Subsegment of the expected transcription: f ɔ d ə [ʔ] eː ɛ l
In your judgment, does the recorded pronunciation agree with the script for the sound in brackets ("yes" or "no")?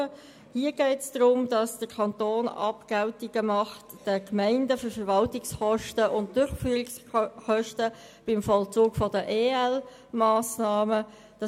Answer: yes